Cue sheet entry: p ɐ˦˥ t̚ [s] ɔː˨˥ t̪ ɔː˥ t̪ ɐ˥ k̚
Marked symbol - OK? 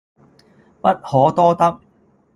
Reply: no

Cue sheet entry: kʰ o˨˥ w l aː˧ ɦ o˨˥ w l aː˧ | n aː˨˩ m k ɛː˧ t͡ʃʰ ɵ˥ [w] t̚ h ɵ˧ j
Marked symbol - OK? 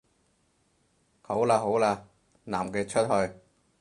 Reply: no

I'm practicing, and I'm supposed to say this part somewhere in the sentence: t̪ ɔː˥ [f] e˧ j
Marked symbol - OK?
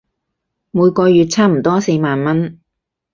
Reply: no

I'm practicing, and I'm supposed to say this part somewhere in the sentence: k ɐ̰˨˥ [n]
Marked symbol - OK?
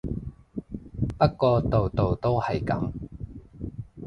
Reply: no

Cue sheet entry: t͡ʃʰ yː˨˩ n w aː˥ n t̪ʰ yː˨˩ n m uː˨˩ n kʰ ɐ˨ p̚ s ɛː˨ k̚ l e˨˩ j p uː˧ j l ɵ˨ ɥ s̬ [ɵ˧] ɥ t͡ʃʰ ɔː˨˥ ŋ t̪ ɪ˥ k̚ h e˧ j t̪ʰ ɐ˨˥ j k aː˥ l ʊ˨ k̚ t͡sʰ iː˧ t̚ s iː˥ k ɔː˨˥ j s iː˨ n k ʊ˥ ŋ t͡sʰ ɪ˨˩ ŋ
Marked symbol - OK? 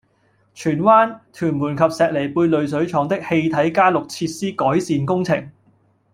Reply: no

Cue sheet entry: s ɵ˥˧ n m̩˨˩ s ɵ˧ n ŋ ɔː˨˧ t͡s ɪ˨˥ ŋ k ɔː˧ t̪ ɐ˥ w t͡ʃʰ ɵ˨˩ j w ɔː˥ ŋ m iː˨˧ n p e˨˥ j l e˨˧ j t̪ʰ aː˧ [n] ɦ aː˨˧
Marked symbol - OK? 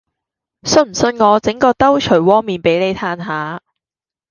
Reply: yes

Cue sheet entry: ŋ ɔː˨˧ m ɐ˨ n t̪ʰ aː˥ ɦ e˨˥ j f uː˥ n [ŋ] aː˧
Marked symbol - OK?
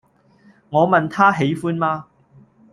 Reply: no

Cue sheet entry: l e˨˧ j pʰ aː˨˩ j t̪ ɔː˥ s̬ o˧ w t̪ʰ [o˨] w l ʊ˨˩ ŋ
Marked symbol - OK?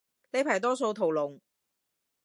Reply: yes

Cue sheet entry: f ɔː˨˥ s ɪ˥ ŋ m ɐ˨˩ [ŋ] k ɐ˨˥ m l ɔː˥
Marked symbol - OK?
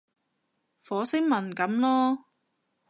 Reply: no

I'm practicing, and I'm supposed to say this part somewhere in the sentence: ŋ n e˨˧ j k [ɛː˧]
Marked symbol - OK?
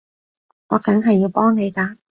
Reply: no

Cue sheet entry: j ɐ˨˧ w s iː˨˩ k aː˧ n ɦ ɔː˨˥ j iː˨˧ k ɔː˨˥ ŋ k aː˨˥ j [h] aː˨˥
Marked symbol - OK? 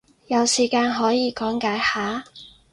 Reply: yes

